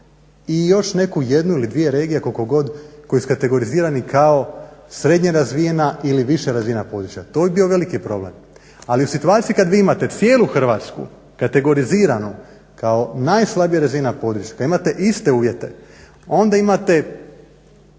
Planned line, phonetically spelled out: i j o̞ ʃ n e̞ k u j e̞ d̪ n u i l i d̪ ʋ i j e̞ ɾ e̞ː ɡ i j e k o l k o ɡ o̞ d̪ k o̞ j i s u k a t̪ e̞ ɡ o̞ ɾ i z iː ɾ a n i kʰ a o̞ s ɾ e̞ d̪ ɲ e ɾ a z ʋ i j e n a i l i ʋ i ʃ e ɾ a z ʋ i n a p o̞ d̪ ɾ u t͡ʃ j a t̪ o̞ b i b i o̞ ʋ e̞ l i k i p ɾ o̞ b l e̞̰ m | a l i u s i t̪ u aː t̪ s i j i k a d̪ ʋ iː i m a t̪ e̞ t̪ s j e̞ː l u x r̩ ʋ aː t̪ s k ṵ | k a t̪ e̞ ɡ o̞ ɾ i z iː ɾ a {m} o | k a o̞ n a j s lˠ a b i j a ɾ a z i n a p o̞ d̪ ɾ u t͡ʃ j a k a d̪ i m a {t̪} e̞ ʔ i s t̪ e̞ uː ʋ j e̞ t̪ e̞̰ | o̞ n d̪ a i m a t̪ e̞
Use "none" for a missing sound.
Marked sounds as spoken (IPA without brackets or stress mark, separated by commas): n, t̪